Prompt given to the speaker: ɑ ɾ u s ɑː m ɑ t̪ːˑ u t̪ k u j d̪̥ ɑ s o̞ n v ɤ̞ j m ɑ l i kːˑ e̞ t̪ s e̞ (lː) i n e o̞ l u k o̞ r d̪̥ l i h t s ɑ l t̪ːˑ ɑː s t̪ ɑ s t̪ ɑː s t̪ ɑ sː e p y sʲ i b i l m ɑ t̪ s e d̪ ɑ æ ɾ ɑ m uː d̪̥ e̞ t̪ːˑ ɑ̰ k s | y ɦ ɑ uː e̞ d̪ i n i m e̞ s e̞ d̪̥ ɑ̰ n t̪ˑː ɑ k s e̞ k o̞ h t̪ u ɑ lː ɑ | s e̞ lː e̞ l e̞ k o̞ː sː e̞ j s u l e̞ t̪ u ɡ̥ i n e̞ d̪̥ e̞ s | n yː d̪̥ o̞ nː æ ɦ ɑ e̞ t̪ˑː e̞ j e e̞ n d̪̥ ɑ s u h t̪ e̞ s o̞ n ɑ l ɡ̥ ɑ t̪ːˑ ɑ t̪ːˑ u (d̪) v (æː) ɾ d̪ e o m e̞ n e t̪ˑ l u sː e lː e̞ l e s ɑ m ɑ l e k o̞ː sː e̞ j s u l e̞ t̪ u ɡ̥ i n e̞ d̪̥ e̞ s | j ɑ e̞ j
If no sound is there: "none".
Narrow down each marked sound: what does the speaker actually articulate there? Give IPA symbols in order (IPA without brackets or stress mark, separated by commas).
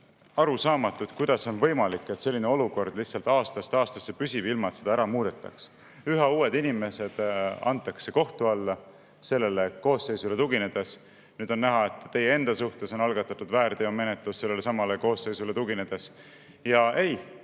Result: lː, d̪, æː